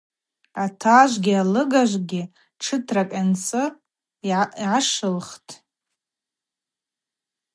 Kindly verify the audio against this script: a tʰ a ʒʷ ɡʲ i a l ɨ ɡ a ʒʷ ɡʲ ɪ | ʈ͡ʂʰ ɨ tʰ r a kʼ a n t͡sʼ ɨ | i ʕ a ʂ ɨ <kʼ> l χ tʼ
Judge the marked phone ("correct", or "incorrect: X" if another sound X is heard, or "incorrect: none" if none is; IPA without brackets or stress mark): incorrect: none